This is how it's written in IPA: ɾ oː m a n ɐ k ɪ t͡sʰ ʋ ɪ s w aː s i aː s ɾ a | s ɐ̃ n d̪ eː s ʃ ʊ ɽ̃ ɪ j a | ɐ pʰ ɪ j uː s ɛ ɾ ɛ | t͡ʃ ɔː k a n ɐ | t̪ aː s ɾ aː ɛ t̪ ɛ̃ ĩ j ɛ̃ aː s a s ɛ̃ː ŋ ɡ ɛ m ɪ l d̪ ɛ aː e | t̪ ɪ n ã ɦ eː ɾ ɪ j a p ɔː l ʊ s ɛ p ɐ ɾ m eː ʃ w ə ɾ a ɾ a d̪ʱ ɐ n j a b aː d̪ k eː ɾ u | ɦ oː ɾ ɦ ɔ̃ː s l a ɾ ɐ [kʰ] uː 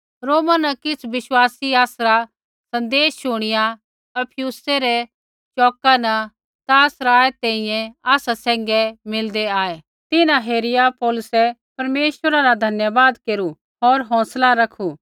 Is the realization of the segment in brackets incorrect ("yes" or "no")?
no